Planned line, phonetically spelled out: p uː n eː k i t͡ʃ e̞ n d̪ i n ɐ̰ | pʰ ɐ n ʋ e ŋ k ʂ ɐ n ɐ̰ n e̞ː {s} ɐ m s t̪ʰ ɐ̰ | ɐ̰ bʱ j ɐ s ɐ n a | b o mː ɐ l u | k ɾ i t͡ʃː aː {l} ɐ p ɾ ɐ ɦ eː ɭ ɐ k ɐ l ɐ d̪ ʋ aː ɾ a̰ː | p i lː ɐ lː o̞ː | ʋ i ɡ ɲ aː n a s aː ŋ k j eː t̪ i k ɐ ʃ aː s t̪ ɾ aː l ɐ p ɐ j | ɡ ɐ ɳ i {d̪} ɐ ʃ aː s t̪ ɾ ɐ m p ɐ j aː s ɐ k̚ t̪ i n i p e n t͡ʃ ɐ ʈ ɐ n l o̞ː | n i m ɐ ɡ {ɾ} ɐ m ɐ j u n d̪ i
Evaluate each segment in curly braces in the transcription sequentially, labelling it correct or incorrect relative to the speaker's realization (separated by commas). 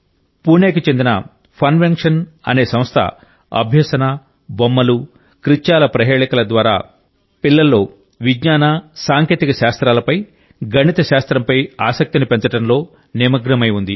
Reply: correct, correct, incorrect, correct